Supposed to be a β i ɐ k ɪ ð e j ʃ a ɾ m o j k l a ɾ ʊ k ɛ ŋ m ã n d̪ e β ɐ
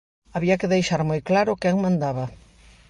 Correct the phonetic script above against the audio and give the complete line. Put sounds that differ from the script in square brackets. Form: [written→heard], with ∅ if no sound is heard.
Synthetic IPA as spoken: a β i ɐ k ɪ ð e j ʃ a ɾ m o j k l a ɾ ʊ k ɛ ŋ m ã n d̪ [e→a] β ɐ